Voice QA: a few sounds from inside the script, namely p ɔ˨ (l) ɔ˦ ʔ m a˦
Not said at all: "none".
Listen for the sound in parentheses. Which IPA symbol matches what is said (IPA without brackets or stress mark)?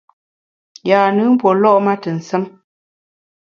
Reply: l